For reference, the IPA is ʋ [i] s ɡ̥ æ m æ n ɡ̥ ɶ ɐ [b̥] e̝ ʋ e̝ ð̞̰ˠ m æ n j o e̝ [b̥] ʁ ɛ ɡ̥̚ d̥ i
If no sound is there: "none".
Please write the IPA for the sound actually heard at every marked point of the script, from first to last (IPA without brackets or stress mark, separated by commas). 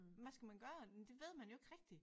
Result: æ, d̥, ɡ̥